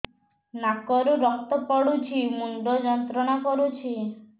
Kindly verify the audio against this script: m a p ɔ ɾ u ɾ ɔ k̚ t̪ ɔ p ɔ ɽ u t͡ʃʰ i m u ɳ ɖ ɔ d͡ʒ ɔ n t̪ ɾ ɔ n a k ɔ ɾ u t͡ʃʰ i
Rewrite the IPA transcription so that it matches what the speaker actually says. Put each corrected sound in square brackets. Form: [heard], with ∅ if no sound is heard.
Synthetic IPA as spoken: [n] a [k] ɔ ɾ u ɾ ɔ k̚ t̪ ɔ p ɔ ɽ u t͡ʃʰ i m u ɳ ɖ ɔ d͡ʒ ɔ n t̪ ɾ ɔ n a k ɔ ɾ u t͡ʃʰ i